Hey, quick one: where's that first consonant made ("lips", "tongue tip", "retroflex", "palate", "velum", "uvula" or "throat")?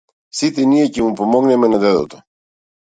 tongue tip